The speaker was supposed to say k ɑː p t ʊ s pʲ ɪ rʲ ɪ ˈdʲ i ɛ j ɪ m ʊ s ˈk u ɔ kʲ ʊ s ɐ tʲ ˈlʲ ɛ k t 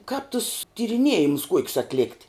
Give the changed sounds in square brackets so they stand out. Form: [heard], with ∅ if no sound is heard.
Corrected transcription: k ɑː p t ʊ s [tʲ] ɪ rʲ ɪ [ˈnʲ] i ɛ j ɪ m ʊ s ˈk u ɔ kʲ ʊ s ɐ tʲ ˈlʲ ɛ k t